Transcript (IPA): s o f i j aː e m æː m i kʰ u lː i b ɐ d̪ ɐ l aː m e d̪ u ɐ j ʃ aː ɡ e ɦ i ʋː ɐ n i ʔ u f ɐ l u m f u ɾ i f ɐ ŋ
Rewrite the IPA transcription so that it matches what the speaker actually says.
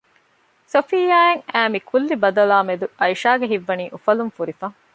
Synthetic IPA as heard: s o f i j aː e ŋ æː m i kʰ u lː i b ɐ d̪ ɐ l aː m e d̪ u ɐ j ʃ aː ɡ e ɦ i ʋː ɐ n iː ʔ u f ɐ l u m f u ɾ i f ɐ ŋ